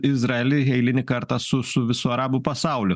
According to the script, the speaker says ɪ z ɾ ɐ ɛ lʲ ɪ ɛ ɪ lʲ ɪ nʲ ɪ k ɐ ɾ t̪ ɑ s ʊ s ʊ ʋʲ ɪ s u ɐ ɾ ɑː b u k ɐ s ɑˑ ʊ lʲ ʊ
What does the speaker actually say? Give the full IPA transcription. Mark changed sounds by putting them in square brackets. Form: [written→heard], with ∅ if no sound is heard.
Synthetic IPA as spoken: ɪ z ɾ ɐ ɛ lʲ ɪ ɛ ɪ lʲ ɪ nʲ ɪ k ɐ ɾ t̪ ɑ s ʊ s ʊ ʋʲ ɪ s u ɐ ɾ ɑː b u [k→p] ɐ s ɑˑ ʊ lʲ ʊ